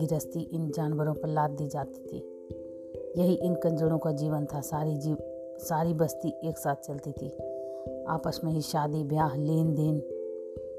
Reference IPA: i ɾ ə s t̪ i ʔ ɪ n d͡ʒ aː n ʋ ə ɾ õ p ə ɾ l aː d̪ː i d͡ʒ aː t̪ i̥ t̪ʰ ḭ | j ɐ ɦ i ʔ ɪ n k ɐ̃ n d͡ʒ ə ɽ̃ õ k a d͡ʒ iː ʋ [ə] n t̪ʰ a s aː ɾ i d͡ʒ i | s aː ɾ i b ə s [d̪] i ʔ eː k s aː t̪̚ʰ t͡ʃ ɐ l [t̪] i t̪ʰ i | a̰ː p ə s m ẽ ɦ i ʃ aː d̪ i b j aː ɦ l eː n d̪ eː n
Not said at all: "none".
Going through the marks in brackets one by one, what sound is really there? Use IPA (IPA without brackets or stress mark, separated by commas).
ə, t̪, t̪